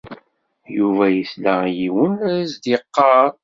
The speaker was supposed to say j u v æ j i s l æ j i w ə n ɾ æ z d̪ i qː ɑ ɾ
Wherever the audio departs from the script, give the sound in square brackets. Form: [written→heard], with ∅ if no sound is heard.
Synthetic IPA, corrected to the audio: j u v æ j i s l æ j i w ə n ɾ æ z d̪ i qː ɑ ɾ